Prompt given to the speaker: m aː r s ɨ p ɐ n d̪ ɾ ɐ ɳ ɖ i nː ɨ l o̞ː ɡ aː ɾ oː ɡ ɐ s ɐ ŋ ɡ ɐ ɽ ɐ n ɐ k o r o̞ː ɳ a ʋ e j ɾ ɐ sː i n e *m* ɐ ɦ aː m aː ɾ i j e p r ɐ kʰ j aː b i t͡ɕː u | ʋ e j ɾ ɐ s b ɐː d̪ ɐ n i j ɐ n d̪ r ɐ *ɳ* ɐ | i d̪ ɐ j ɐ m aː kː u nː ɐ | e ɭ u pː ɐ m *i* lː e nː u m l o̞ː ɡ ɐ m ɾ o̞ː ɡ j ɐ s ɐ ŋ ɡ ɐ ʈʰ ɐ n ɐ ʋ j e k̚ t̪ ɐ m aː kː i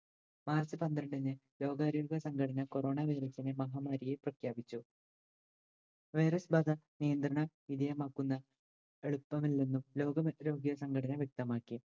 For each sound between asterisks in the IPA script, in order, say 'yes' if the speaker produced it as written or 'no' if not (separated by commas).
yes, yes, yes